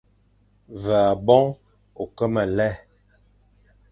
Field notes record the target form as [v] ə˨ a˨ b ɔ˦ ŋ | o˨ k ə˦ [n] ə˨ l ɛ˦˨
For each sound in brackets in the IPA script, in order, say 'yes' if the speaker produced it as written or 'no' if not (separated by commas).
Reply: yes, no